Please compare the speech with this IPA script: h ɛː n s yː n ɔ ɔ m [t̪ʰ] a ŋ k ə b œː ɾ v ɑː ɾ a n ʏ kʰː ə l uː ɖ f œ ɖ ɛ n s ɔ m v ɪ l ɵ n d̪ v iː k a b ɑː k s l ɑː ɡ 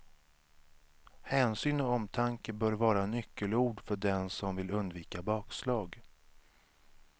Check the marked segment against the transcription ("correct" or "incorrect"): correct